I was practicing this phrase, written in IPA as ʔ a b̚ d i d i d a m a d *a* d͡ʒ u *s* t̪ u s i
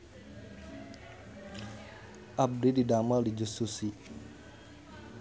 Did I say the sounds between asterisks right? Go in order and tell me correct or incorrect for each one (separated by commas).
incorrect, correct